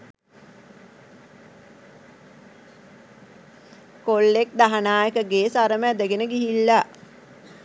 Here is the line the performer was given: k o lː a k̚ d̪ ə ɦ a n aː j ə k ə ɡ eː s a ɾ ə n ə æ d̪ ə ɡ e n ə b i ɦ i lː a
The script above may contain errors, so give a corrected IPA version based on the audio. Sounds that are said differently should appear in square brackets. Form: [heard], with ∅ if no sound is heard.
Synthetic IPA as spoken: k o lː [e] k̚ d̪ [a] ɦ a n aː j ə k ə ɡ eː s a ɾ ə [m] ə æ d̪ ə ɡ e n ə [ɡ] i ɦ i lː a

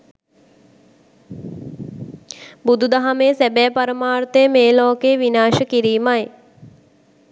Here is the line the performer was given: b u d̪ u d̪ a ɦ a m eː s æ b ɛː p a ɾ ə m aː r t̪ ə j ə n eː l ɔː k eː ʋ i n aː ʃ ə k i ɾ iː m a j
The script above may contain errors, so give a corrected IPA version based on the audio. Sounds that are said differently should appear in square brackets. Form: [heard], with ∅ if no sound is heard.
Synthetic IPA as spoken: b u d̪ u d̪ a ɦ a m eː s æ b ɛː p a ɾ ə m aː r t̪ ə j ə [m] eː l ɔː k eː ʋ i n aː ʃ ə k i ɾ iː m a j

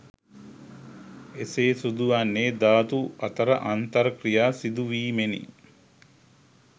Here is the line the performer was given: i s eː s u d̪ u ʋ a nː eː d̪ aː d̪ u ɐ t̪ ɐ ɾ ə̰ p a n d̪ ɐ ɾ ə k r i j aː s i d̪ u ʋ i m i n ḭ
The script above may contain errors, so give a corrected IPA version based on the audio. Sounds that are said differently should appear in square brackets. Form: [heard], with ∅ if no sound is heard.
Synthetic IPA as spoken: [e] s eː s u d̪ u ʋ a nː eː d̪ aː [t̪] u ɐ t̪ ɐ ɾ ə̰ [ʔ] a n [t̪] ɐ ɾ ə k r i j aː s i d̪ u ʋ [iː] m [e] n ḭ

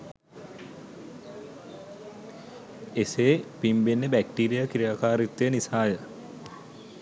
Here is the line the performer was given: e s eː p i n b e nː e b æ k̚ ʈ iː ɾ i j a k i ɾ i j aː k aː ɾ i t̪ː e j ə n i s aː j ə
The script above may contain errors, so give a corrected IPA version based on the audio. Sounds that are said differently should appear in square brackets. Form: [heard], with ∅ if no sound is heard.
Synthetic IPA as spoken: e s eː p i [m] b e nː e b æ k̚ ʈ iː ɾ i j a k i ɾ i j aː k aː ɾ i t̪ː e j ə n i s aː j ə

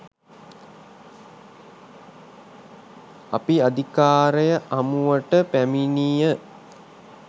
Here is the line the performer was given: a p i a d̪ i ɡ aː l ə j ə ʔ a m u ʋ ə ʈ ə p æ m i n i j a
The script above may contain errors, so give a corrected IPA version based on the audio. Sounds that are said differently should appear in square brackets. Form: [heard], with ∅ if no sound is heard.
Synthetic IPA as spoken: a p i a d̪ i [k] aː [ɾ] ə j ə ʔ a m u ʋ ə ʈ ə p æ m i n i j [ə]

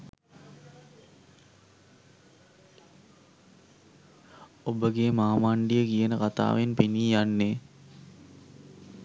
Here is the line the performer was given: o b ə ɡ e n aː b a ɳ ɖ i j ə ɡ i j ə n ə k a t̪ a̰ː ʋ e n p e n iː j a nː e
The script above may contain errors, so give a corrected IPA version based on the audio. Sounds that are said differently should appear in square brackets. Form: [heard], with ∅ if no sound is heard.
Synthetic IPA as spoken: o b ə ɡ e [m] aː [m] a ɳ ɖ i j ə [k] i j ə n ə k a t̪ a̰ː ʋ e n p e n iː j a nː e

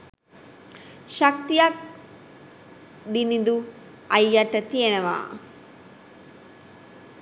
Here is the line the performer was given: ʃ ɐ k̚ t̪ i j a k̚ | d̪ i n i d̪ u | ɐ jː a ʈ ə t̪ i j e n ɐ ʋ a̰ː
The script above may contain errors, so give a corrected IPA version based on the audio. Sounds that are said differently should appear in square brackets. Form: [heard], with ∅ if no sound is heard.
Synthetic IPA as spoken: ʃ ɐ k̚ t̪ i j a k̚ | d̪ i n i d̪ u | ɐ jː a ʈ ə t̪ i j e n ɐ ʋ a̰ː

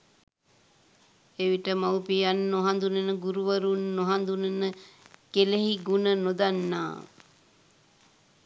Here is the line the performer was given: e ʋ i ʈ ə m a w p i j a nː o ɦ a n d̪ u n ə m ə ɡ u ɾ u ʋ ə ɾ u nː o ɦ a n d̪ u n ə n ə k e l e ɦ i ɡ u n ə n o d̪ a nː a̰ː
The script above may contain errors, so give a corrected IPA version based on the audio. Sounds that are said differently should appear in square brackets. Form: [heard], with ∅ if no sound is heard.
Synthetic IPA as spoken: e ʋ i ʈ ə m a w p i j a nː o ɦ a n d̪ u n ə [n] ə ɡ u ɾ u ʋ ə ɾ u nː o ɦ a n d̪ u n ə n ə k e l e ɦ i ɡ u n ə n o d̪ a nː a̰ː

